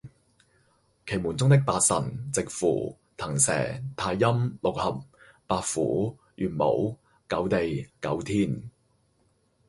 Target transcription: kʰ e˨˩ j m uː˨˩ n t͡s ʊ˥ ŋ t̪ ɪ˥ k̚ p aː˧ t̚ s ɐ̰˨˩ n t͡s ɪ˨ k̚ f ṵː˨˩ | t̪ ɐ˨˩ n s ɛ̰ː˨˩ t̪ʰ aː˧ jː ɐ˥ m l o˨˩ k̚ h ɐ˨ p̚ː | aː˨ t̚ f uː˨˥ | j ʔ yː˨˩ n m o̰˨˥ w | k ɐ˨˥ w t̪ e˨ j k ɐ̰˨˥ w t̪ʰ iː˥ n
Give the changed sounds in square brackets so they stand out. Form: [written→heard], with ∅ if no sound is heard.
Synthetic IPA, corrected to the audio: kʰ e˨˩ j m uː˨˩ n t͡s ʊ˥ ŋ t̪ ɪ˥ k̚ p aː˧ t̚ s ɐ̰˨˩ n t͡s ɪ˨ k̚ f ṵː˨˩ | [t̪→t̪ʰ] ɐ˨˩ [n→ŋ] s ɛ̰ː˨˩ t̪ʰ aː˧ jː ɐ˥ m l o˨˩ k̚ h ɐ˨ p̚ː | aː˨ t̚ f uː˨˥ | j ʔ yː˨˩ n m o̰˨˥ w | k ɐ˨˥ w t̪ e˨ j k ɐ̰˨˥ w t̪ʰ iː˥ n